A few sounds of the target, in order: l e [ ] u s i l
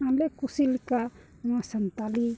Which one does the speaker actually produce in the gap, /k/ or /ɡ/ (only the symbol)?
k